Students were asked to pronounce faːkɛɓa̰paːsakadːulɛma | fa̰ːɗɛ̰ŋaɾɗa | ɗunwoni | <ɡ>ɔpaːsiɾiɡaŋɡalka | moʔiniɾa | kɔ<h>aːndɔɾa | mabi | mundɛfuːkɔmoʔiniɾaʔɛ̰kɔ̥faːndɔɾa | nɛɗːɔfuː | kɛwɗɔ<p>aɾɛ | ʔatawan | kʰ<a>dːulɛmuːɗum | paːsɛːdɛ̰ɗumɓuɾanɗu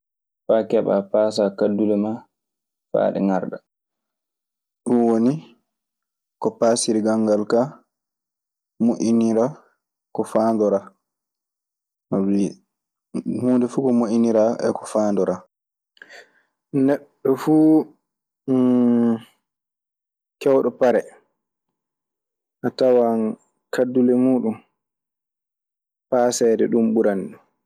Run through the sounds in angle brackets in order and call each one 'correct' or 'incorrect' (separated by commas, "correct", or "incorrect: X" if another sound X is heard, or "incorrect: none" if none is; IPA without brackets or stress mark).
incorrect: k, incorrect: f, correct, correct